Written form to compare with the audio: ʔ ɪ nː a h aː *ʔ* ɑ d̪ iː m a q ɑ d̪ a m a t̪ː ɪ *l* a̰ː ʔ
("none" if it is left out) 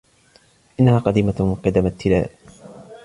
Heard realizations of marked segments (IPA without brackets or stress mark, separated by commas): q, l